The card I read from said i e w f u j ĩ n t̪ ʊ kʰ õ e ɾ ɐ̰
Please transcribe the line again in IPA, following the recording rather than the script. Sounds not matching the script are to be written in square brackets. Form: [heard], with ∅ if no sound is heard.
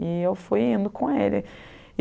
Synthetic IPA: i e w f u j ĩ n [d̪] ʊ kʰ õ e [l] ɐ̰